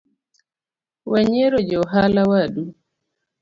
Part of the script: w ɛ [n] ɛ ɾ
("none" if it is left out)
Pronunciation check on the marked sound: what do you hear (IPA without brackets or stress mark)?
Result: ɲ